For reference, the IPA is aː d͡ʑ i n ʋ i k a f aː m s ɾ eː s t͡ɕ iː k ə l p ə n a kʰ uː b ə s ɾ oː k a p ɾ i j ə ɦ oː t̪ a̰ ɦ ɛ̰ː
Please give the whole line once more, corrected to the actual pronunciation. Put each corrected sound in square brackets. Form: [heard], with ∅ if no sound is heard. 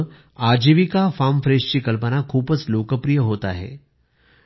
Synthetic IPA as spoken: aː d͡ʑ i [∅] ʋ i k a f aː m [f] ɾ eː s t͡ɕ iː k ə l p ə n a kʰ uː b ə s [l] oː k [ə] p ɾ i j ə ɦ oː t̪ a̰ ɦ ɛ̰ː